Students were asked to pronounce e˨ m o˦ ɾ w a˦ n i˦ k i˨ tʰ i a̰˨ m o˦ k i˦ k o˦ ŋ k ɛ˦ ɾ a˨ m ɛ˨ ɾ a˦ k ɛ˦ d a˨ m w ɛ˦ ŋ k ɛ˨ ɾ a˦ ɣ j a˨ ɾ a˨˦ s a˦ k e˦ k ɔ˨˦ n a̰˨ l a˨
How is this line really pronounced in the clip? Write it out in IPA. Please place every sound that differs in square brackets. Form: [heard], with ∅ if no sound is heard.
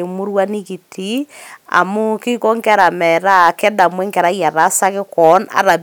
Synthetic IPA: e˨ m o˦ ɾ w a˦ n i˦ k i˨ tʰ i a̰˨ m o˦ k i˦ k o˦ ŋ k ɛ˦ ɾ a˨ m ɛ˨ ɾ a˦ k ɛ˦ d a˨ m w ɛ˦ ŋ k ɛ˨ ɾ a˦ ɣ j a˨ ɾ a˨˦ s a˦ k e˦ k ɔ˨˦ n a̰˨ [ɾ] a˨